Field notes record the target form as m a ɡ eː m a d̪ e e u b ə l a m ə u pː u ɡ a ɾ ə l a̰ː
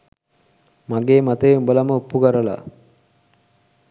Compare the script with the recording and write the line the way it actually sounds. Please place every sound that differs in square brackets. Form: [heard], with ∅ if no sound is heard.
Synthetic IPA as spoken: m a ɡ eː m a [t̪] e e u b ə l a m ə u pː u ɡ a ɾ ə l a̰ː